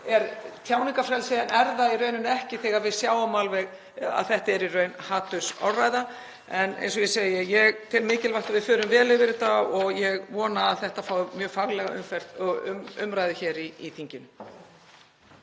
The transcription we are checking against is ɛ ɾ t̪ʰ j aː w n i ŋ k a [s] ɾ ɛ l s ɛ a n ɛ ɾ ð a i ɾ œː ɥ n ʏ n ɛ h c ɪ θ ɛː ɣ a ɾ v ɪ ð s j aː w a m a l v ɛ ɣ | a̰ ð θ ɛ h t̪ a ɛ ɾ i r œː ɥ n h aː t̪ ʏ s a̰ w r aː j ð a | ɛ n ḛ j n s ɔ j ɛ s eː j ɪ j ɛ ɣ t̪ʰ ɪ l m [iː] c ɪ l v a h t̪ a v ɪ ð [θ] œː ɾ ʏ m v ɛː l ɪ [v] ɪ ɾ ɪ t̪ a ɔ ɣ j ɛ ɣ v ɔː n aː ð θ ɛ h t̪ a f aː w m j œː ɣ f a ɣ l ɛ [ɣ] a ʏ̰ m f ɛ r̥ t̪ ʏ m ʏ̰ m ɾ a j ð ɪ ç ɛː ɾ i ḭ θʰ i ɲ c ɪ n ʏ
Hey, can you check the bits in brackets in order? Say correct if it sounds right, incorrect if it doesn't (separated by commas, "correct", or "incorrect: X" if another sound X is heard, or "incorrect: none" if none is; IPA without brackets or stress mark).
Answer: incorrect: f, incorrect: ɪː, incorrect: f, correct, correct